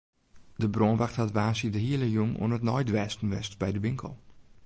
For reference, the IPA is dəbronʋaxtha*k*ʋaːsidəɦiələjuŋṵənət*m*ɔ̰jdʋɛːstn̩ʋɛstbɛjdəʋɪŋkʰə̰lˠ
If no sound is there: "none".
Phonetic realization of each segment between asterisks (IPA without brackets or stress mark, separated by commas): t, n